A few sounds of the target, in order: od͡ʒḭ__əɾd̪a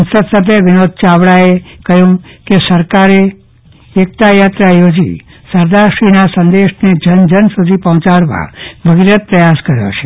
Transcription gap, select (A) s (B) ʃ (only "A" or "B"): A